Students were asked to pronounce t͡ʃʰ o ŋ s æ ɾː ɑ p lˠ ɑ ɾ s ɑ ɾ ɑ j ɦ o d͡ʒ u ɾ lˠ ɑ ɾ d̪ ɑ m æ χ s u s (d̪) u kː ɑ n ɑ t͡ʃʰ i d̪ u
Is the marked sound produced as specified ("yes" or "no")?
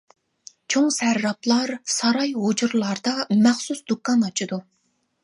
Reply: yes